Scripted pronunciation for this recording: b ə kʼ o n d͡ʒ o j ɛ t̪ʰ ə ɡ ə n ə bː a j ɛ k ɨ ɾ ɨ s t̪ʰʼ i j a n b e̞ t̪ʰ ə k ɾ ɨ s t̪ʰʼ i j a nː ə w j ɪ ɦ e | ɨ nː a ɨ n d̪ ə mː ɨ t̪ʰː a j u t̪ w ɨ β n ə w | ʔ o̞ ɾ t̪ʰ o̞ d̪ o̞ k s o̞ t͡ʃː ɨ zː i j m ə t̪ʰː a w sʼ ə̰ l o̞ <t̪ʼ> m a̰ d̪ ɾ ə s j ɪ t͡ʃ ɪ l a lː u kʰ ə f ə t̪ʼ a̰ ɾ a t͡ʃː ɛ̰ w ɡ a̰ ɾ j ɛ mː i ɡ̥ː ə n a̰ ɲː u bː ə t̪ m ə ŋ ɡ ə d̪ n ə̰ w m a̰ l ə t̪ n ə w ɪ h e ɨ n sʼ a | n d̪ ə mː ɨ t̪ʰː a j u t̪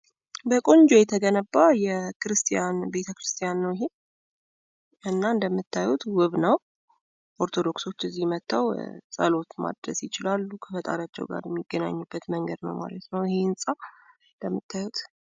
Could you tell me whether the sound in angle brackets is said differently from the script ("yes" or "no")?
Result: yes